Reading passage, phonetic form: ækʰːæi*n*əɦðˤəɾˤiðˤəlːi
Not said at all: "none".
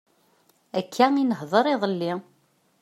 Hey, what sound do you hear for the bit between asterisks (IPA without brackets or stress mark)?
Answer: n